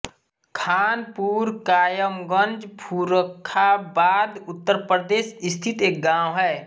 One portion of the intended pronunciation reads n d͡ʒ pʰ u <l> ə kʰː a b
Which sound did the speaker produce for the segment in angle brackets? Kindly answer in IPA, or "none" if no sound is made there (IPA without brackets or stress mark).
ɾ